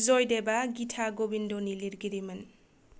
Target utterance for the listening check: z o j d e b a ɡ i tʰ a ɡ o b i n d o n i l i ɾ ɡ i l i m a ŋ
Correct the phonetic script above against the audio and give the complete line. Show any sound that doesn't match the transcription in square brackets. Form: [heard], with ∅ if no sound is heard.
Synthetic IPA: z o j d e b a ɡ i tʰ a ɡ o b i n d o n i l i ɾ ɡ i [ɾ] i m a [n]